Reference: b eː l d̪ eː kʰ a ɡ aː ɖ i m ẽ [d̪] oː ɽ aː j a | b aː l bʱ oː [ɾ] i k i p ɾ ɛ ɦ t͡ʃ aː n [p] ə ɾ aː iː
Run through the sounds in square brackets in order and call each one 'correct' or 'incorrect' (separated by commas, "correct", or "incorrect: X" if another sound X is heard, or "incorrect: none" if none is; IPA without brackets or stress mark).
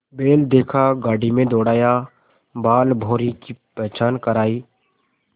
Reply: correct, correct, incorrect: k